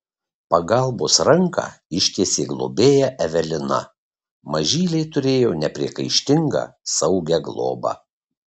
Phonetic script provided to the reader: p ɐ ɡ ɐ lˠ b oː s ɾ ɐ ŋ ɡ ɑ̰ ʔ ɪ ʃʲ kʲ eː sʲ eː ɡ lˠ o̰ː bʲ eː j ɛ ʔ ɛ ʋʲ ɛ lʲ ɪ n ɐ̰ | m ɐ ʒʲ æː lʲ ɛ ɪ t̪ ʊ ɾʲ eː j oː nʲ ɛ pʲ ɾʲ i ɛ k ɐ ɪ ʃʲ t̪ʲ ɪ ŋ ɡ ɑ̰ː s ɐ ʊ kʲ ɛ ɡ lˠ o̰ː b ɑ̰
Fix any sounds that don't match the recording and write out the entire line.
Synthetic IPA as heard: p ɐ ɡ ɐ lˠ b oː s ɾ ɐ ŋ k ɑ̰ ɪ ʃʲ kʲ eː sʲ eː ɡ lˠ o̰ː bʲ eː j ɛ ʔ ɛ ʋʲ ɛ lʲ ɪ n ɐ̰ | m ɐ ʒʲ iː lʲ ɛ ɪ t̪ ʊ ɾʲ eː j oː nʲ ɛ pʲ ɾʲ i ɛ k ɐ ɪ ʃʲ t̪ʲ ɪ ŋ ɡ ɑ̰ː s ɐ ʊ ɡʲ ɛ ɡ lˠ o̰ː b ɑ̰